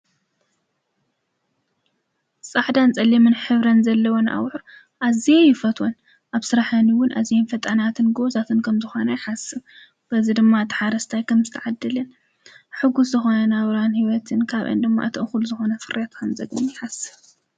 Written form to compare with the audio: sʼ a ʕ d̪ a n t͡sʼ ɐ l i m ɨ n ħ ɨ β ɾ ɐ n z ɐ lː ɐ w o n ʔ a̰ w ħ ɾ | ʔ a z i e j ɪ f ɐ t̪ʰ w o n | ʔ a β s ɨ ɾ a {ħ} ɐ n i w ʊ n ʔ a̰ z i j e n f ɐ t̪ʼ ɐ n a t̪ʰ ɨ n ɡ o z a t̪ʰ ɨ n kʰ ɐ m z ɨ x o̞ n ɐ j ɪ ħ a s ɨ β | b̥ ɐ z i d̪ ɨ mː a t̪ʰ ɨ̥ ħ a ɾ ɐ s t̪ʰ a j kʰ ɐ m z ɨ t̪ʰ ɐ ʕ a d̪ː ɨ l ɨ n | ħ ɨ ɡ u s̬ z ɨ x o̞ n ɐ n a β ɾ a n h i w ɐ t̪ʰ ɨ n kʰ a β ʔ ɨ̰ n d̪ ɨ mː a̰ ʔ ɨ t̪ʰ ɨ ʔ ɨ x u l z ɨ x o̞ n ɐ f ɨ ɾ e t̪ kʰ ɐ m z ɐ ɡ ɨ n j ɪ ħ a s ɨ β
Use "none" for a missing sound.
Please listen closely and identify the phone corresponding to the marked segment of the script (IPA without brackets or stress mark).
ħ